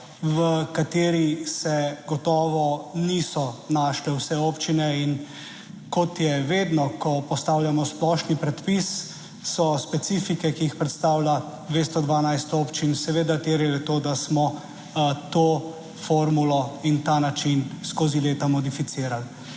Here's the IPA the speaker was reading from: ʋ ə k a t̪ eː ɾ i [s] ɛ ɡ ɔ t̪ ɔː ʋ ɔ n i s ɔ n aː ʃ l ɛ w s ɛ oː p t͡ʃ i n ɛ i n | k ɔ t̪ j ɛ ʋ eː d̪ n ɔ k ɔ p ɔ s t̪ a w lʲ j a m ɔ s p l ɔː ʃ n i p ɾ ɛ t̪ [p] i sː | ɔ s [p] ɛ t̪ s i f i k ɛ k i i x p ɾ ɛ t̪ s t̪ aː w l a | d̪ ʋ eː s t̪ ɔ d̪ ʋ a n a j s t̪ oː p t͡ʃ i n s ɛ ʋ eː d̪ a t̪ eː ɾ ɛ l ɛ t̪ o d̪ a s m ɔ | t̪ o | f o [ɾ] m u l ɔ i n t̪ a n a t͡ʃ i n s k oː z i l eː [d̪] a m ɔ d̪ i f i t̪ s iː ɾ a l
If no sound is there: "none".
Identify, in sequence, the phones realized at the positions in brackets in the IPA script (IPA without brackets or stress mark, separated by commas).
s, p, p, ɾ, t̪